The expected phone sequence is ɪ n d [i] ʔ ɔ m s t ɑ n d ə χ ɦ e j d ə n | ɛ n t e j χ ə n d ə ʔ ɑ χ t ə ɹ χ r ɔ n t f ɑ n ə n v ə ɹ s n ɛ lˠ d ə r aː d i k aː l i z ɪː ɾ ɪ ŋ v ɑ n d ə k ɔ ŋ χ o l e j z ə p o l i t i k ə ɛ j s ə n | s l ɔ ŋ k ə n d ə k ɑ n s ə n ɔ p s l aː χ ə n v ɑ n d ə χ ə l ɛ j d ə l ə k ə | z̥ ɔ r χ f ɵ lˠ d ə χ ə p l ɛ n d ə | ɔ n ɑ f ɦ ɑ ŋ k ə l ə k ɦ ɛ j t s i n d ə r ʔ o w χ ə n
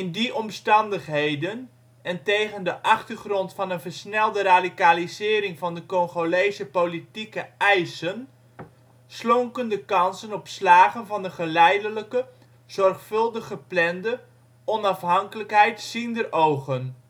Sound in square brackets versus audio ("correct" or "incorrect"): correct